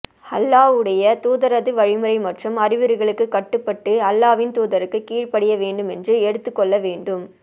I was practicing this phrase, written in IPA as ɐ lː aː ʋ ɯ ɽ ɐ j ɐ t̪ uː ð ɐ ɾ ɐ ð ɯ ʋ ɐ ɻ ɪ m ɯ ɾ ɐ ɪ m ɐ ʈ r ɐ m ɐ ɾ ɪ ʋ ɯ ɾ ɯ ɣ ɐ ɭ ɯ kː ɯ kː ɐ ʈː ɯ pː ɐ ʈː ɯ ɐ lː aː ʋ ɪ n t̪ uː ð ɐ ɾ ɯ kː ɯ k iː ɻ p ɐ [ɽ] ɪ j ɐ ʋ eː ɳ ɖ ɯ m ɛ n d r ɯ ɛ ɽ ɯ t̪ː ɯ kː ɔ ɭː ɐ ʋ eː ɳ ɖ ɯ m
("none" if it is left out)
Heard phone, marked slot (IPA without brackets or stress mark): ɽ